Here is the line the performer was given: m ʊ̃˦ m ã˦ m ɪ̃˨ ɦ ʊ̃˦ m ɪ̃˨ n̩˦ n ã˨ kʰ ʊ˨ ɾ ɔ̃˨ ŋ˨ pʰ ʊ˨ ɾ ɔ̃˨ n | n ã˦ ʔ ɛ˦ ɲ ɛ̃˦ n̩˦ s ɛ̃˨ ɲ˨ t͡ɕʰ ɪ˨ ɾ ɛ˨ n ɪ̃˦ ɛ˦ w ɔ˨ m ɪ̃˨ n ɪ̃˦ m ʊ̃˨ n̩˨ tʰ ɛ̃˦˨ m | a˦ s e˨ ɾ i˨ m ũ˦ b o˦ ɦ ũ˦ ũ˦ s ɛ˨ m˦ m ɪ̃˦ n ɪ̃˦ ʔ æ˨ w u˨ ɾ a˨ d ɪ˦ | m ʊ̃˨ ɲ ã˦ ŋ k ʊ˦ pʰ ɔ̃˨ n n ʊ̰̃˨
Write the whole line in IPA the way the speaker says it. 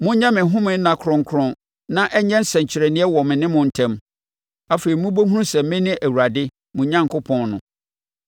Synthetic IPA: m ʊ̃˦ ɲ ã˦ m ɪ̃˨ ɦ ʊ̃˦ m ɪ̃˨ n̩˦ n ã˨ kʰ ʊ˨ ɾ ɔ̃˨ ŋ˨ kʰ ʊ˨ ɾ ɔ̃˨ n | n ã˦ ʔ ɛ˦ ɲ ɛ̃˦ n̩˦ s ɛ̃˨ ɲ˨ t͡ɕʰ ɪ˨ ɾ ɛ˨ n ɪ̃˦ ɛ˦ w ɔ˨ m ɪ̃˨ n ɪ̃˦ m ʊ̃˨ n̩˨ tʰ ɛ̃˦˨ m | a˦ f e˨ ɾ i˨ m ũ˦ b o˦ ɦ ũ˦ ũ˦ s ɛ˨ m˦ m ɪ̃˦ n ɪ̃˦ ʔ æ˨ w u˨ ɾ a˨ d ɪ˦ | m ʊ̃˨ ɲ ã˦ ŋ k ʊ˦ pʰ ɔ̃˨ n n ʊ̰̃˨